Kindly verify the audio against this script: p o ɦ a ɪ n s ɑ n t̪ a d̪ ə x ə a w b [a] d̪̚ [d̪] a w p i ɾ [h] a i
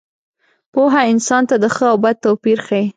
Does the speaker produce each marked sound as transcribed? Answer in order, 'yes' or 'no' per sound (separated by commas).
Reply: yes, no, no